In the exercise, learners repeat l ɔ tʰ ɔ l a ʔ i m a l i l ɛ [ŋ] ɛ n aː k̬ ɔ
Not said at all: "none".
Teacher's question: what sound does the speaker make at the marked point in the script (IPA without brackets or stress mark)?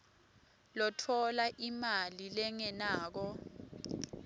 ŋ